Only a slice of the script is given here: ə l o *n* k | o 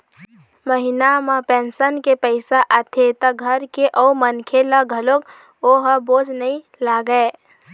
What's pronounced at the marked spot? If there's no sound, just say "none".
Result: none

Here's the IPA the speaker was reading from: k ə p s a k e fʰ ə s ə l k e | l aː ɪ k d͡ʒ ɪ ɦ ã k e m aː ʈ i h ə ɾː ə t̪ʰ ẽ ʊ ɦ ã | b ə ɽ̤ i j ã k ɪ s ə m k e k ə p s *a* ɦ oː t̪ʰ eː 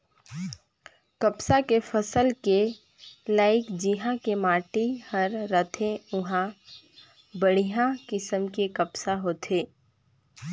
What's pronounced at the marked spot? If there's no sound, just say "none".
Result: a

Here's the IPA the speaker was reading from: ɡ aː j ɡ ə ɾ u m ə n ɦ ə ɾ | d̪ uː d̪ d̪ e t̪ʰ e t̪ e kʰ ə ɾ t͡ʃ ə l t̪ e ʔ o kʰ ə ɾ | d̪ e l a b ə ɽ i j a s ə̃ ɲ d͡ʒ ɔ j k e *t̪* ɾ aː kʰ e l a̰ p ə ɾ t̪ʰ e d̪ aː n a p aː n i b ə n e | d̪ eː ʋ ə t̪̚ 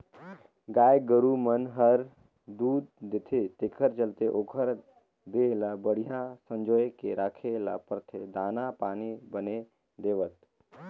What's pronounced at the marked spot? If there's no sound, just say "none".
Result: none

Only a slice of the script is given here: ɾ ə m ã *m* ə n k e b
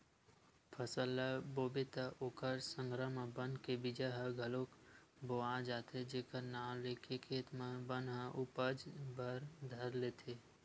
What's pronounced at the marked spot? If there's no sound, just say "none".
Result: b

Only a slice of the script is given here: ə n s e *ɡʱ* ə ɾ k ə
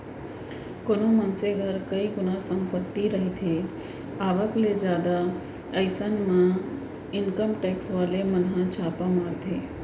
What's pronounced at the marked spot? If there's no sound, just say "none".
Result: ɡʱ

